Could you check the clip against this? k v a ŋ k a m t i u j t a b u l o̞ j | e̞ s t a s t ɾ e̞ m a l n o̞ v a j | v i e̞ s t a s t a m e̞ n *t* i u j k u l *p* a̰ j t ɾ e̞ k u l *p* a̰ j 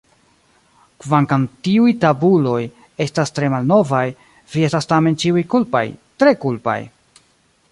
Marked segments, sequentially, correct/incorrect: incorrect, correct, correct

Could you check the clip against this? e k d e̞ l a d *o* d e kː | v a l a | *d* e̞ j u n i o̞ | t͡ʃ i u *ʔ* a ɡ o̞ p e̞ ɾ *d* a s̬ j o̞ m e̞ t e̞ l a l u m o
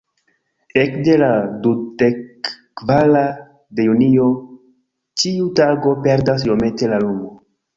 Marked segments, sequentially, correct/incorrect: incorrect, correct, incorrect, correct

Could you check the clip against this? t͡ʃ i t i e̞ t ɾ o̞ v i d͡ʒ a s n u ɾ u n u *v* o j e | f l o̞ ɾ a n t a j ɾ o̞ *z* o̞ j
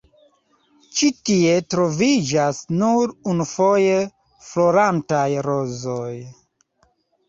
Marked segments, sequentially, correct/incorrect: incorrect, correct

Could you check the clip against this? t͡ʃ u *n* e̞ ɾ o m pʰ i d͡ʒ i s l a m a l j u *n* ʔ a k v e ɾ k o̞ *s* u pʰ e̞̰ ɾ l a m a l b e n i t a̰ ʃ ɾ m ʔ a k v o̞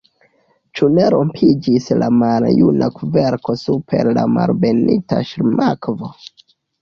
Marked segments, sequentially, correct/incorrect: correct, correct, correct

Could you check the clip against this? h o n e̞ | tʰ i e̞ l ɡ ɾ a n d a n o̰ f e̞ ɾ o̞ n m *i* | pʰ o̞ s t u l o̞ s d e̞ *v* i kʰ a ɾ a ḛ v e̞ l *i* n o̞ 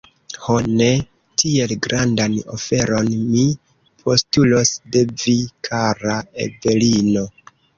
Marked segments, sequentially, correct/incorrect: correct, correct, correct

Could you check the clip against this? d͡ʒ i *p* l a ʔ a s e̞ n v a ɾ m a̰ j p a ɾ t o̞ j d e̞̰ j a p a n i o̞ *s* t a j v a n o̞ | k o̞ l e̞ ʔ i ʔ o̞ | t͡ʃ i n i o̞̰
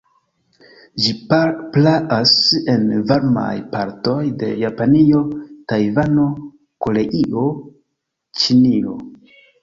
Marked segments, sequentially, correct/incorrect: correct, incorrect

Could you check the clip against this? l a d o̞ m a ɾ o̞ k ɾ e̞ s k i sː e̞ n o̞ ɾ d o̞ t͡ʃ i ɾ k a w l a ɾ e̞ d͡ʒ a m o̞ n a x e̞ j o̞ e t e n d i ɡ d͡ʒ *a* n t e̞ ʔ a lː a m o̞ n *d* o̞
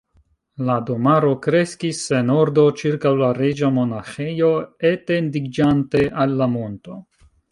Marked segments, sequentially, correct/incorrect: correct, incorrect

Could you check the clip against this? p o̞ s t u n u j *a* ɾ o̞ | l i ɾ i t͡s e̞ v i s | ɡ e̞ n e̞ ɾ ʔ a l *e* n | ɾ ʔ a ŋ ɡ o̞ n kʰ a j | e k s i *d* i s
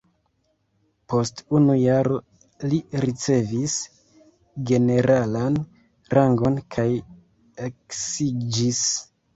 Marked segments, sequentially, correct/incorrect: correct, incorrect, incorrect

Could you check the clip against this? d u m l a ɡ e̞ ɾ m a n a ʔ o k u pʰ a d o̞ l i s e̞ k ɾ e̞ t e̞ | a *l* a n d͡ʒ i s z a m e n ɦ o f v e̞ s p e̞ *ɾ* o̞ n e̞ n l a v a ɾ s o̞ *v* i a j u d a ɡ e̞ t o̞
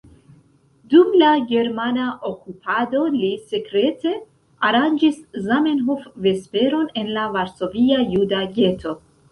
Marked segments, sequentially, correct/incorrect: incorrect, correct, correct

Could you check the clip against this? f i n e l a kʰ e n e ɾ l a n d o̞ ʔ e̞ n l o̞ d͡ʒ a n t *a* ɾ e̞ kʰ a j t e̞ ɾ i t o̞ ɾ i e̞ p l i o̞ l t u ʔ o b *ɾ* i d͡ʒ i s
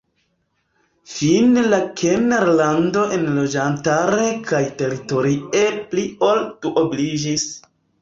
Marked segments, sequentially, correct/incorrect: correct, incorrect

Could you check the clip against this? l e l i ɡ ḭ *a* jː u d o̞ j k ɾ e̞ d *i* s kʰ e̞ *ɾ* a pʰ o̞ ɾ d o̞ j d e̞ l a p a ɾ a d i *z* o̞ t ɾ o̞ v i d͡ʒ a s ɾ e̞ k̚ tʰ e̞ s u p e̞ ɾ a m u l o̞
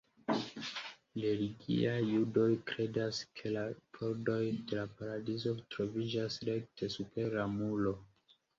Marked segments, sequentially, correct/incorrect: correct, incorrect, incorrect, correct

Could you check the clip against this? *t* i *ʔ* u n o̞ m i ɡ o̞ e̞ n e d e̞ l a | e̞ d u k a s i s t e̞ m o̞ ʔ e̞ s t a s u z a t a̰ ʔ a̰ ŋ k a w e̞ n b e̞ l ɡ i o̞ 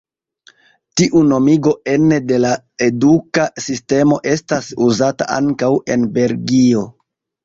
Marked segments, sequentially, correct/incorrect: correct, correct

